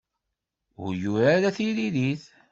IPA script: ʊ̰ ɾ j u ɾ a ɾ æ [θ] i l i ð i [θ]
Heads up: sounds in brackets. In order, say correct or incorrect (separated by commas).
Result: correct, correct